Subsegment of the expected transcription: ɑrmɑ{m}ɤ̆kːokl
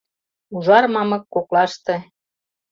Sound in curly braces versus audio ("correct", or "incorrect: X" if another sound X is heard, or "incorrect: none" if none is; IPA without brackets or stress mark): correct